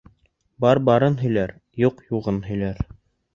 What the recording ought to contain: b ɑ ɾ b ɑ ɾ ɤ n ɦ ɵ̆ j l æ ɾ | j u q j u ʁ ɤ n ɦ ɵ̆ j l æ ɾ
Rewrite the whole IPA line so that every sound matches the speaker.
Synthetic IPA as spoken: b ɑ ɾ b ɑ ɾ ɤ n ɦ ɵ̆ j l æ ɾ | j u q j u ʁ ɤ n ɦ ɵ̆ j l æ ɾ